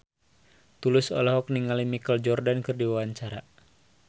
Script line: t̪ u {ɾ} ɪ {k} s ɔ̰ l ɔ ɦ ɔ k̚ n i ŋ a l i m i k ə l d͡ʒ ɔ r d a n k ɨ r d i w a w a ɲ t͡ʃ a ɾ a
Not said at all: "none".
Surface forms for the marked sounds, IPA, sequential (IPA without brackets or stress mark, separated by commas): l, none